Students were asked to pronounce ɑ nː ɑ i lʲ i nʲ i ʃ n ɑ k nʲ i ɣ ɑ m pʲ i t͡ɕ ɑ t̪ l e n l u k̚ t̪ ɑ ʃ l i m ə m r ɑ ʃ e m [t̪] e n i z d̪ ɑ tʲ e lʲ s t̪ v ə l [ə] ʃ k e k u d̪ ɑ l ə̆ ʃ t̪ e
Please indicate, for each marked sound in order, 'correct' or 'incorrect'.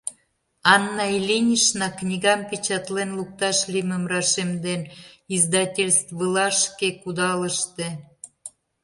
incorrect: d̪, incorrect: ɑ

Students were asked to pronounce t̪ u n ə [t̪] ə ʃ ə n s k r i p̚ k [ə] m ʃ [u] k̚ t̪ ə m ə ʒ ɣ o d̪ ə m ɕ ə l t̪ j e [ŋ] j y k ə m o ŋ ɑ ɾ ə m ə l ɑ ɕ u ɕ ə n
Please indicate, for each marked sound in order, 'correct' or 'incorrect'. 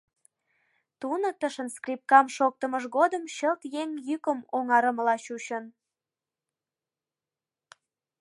correct, incorrect: ɑ, incorrect: o, correct

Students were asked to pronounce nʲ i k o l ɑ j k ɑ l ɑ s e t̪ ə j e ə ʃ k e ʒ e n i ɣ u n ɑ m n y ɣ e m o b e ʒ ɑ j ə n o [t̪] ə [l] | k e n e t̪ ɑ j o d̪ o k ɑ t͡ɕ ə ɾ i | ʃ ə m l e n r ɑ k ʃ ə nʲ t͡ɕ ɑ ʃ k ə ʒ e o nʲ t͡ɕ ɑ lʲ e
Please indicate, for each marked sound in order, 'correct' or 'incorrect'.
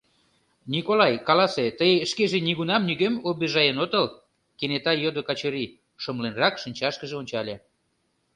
correct, correct

